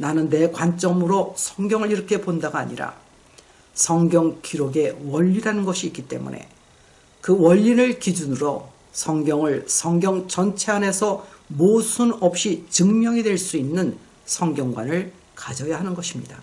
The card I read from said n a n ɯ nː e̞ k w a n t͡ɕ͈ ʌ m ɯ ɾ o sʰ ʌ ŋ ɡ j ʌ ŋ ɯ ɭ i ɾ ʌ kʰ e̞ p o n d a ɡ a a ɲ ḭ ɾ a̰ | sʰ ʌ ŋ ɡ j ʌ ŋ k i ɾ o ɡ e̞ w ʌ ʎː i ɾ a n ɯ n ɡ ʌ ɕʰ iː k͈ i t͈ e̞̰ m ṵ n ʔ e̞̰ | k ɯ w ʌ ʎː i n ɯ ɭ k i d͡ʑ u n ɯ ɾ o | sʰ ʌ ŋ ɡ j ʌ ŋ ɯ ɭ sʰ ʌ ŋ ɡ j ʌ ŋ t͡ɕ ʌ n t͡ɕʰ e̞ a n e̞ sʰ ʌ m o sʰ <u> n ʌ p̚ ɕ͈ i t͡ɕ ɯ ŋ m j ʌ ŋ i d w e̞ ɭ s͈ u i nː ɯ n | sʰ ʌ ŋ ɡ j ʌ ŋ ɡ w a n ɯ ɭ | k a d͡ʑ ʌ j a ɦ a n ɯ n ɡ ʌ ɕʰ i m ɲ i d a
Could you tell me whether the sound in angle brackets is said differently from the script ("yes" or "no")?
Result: no